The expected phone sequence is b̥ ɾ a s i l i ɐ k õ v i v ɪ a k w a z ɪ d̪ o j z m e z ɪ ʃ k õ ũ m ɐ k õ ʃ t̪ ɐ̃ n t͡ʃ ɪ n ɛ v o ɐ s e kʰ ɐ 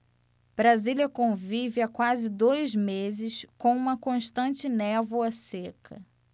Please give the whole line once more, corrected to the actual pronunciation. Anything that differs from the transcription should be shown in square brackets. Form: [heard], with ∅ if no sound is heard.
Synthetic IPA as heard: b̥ ɾ a [z] i l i ɐ k õ v i v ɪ a k w a z ɪ d̪ o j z m e z ɪ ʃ k õ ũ m ɐ k õ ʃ t̪ ɐ̃ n t͡ʃ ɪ n ɛ v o ɐ s e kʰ ɐ